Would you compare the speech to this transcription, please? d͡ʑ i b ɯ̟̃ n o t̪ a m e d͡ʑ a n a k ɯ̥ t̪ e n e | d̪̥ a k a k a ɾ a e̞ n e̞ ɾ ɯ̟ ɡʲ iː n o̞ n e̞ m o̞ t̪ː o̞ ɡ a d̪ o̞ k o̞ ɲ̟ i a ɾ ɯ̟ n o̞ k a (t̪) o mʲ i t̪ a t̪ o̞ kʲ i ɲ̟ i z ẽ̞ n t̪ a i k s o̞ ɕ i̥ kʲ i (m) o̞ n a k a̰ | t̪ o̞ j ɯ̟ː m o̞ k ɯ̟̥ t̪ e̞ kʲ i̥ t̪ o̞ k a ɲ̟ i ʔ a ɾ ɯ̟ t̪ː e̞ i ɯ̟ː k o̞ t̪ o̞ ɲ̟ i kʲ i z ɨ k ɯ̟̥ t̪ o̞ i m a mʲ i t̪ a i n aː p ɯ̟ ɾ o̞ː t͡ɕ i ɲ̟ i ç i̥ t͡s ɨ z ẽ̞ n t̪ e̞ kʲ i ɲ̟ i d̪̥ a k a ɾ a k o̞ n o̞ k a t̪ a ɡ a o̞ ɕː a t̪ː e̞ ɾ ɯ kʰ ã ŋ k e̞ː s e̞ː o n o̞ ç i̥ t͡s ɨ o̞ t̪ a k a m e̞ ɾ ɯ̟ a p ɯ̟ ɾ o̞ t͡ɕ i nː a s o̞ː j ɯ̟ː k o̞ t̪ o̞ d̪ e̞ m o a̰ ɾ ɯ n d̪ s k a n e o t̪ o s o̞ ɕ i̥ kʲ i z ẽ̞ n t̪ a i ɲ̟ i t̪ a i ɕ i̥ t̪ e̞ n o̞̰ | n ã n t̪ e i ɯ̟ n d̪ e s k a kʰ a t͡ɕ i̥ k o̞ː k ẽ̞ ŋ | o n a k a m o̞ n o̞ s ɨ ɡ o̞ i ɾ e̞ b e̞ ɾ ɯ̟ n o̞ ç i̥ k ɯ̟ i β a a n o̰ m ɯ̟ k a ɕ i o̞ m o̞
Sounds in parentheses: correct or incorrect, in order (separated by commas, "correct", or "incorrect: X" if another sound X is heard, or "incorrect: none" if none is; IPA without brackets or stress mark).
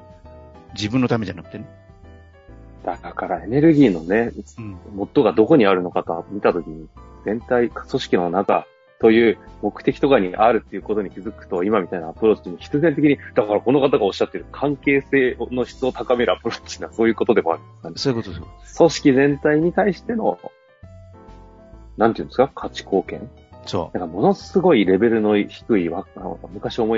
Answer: correct, incorrect: n